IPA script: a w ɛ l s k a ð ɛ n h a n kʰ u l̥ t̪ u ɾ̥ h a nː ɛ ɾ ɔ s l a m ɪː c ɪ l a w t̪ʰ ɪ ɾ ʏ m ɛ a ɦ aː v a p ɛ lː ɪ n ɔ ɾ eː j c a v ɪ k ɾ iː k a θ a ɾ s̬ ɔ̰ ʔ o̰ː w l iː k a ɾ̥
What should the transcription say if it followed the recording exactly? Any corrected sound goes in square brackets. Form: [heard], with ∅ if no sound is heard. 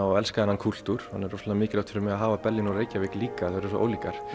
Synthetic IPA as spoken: a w ɛ l s k a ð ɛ n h a n kʰ u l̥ t̪ u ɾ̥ h a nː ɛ ɾ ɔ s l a m ɪː c ɪ l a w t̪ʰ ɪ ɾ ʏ m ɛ a ɦ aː v a p ɛ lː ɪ n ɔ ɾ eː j c a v ɪ k [l] iː k a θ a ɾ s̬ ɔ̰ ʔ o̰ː w l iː k a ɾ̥